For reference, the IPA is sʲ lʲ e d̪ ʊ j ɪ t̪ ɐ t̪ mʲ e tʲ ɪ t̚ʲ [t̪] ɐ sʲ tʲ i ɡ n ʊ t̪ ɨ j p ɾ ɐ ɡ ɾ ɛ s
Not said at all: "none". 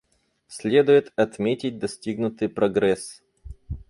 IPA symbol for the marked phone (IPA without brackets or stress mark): d̪